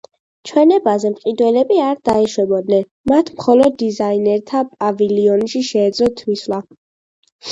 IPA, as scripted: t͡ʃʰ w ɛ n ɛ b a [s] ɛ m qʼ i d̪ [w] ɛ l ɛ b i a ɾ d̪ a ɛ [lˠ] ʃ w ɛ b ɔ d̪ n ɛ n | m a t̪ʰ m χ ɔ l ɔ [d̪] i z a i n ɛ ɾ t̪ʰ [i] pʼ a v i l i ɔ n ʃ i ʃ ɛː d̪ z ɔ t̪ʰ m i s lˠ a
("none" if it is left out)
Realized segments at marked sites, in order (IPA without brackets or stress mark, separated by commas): z, w, none, d̪ː, a